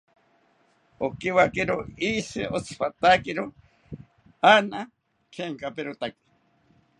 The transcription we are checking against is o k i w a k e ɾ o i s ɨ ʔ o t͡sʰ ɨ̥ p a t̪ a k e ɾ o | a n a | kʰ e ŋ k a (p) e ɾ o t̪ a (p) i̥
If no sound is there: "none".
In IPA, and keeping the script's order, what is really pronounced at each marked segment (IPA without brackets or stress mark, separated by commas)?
p, k